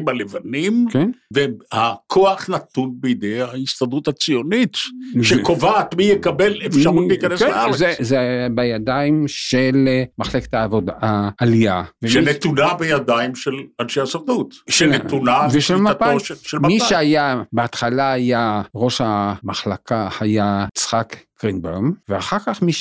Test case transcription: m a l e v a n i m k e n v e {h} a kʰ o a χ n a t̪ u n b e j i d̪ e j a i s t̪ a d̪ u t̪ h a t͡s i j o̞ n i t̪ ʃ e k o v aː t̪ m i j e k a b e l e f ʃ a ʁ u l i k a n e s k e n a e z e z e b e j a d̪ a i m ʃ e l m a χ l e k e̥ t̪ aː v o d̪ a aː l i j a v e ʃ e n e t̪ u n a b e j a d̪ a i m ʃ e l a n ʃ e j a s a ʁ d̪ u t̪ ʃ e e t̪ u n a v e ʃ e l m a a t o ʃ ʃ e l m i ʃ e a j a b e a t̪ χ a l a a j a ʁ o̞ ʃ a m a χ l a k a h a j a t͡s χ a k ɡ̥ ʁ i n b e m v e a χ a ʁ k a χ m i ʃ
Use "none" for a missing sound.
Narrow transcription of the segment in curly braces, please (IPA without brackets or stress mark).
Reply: h